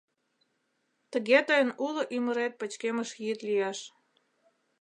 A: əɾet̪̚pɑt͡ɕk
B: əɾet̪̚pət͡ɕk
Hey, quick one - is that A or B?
B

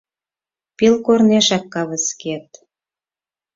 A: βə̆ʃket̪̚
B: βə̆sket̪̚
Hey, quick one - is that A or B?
B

